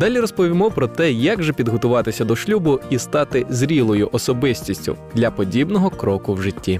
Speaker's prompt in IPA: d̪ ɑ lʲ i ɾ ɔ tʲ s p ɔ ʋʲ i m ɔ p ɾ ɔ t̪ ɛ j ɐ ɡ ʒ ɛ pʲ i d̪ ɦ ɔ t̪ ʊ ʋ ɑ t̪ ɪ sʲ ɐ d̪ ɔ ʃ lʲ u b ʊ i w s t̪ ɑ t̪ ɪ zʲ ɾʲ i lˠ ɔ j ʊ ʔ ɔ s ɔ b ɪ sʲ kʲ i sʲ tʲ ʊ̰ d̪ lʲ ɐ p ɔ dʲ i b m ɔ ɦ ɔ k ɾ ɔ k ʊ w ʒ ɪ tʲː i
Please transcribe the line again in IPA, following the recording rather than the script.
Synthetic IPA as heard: d̪ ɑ lʲ i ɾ ɔ s p ɔ ʋʲ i m ɔ p ɾ ɔ t̪ ɛ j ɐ ɡ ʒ ɛ pʲ i d̪ ɦ ɔ t̪ ʊ ʋ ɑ t̪ ɪ sʲ ɐ d̪ ɔ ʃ lʲ u b ʊ i s t̪ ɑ t̪ ɪ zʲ ɾʲ i lˠ ɔ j ʊ ʔ ɔ s ɔ b ɪ sʲ tʲ i sʲ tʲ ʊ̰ d̪ lʲ ɐ p ɔ dʲ i b n ɔ ɦ ɔ k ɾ ɔ k ʊ w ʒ ɪ tʲː i